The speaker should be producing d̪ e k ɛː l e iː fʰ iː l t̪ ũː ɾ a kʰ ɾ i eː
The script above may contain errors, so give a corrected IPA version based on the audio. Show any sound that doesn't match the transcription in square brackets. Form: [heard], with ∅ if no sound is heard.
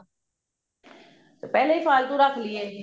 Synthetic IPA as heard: [t̪] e [p] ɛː l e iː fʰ [aː] l t̪ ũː ɾ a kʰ [l] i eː